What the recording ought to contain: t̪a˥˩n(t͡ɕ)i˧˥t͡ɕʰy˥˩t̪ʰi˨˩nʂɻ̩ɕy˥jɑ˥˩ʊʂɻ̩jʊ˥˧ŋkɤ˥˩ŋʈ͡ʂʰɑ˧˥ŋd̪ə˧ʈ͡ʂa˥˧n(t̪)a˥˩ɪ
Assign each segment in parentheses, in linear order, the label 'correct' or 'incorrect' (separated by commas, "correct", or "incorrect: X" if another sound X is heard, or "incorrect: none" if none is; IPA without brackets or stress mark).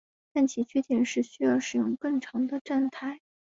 incorrect: t͡ɕʰ, incorrect: t̪ʰ